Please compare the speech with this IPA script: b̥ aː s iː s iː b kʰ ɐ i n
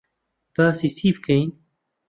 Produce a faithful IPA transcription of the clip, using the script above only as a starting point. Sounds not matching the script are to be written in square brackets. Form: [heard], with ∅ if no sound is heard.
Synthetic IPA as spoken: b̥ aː s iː s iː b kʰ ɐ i n